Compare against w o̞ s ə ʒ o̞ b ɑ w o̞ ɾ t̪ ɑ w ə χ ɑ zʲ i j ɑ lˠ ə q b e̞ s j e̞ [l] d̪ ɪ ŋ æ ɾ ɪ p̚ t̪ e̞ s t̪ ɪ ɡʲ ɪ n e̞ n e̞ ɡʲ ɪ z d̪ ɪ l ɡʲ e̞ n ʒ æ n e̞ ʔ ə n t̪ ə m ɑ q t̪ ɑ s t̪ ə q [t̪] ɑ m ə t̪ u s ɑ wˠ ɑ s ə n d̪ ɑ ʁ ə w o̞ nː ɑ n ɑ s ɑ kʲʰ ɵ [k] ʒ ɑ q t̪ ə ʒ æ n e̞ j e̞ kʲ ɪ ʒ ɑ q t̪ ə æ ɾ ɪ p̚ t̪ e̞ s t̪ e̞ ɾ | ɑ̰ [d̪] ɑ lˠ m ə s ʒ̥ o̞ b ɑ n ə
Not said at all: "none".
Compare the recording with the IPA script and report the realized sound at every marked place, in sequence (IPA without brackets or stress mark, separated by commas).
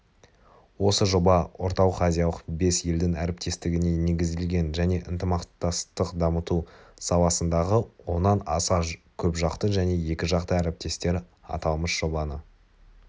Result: l, d̪, p, t̪